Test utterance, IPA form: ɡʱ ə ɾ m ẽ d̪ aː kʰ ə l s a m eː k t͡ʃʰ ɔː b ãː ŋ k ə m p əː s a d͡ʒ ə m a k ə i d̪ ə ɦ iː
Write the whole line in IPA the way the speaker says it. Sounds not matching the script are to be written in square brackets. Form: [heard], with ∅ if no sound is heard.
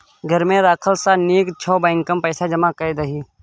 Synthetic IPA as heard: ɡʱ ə ɾ m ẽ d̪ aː kʰ ə l s a [n] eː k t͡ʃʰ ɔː b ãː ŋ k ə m p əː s a d͡ʒ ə m a k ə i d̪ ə ɦ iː

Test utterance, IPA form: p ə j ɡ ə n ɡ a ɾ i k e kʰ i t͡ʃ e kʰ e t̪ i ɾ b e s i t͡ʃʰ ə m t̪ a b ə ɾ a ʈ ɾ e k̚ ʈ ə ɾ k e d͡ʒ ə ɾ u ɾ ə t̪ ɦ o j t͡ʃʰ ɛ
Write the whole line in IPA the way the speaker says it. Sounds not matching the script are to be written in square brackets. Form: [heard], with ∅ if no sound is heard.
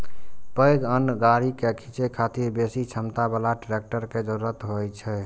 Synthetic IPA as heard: p ə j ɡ ə n ɡ a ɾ i k e kʰ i t͡ʃ e kʰ [a] t̪ i ɾ b e s i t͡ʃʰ ə m t̪ a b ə [l] a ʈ ɾ e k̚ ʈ ə ɾ k e d͡ʒ ə ɾ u ɾ ə t̪ ɦ o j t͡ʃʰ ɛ

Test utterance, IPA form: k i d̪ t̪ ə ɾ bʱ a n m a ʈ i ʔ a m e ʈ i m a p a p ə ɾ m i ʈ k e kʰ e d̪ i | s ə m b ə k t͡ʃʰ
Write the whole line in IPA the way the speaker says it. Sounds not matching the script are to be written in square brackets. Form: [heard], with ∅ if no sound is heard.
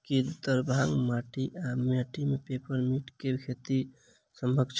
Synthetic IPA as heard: k i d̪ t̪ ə ɾ bʱ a [ŋ] m a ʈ i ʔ a m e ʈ i m [e] p [e] p ə ɾ m i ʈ k e kʰ e [t̪] i | s ə m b ə k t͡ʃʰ

